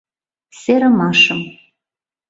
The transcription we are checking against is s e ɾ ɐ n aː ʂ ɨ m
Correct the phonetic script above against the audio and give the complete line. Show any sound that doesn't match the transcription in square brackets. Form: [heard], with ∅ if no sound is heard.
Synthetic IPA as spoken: s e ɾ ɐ [m] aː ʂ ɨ m